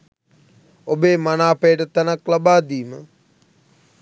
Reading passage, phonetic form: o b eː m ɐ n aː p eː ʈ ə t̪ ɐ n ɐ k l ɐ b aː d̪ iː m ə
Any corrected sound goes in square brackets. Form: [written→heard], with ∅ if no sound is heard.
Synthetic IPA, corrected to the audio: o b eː m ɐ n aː p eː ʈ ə t̪ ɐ n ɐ k l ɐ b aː d̪ iː m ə